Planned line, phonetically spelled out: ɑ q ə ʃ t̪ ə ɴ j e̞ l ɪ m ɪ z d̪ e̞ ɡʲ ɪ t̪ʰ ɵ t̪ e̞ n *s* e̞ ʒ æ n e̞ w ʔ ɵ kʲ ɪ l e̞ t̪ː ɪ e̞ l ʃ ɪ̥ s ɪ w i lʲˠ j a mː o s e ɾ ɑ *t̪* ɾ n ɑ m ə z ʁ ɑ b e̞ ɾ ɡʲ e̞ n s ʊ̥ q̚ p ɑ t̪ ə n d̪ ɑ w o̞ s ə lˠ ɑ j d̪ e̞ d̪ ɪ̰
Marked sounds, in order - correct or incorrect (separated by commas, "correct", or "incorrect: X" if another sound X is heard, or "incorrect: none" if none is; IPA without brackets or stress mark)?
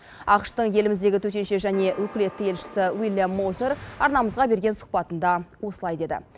incorrect: ʃ, incorrect: none